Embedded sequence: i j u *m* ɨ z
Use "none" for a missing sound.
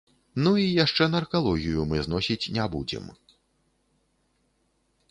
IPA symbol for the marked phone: m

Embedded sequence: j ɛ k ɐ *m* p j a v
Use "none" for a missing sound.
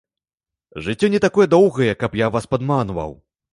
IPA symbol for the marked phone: none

